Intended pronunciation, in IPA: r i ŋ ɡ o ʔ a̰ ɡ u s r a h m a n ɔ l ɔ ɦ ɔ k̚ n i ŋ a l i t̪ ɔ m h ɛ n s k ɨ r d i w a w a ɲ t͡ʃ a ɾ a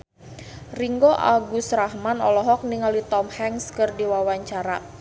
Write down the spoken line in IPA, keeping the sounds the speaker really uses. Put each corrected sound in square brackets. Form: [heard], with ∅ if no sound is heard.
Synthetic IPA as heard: r i ŋ ɡ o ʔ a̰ ɡ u s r a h m a n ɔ l ɔ ɦ ɔ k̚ n i ŋ a l i t̪ ɔ m h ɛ [ŋ] s k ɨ r d i w a w a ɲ t͡ʃ a ɾ a